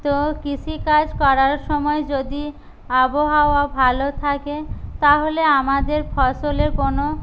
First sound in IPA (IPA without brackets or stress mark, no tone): t̪